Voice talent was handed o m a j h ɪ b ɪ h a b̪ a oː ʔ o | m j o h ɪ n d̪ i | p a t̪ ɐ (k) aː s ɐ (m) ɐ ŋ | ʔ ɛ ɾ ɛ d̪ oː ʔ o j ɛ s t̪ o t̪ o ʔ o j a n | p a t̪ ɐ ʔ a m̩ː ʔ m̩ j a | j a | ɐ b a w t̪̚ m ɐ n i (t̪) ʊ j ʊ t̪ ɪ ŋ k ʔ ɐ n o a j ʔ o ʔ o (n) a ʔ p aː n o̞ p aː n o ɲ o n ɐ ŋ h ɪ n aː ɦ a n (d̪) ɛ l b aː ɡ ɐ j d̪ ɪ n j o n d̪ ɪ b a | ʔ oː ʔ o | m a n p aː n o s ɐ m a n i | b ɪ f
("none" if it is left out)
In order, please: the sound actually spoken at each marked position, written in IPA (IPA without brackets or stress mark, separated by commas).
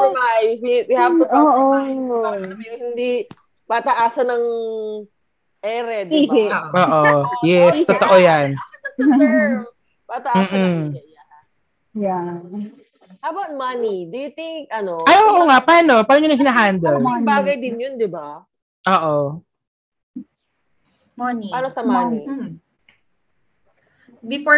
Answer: ʔ, n, d̪, ŋ, d̪